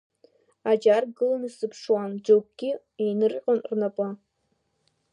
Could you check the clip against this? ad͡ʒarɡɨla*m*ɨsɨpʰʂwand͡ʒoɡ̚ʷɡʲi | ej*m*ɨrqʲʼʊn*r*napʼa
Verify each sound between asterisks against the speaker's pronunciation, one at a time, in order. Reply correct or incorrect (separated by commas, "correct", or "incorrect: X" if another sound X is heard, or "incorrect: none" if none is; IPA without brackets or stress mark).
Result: incorrect: n, incorrect: n, correct